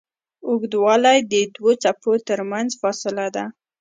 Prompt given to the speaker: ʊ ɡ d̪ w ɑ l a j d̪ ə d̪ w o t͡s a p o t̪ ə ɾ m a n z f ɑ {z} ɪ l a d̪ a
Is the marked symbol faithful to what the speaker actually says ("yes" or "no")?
no